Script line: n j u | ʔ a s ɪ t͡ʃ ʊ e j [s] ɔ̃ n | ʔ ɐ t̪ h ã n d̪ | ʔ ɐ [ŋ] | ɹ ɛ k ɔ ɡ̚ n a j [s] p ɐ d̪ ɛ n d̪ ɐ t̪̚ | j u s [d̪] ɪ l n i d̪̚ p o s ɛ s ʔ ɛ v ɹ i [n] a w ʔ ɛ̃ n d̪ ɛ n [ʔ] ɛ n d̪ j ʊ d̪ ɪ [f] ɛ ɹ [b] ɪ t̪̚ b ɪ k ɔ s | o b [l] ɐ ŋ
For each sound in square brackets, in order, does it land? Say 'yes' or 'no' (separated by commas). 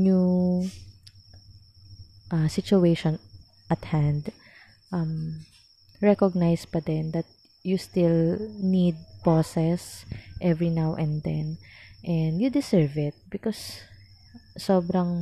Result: no, no, yes, no, yes, yes, no, no, no